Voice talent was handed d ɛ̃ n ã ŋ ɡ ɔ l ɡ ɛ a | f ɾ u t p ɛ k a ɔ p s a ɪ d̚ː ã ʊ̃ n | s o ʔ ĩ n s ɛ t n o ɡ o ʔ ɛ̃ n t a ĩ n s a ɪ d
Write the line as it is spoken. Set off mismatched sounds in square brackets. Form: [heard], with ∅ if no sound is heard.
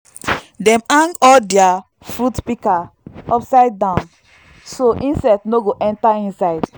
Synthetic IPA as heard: d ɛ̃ [m] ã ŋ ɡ ɔ l [d] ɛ a | f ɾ u t p [i] k a ɔ p s a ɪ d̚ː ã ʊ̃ n | s o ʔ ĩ n s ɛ t n o ɡ o ʔ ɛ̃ n t a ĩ n s a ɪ d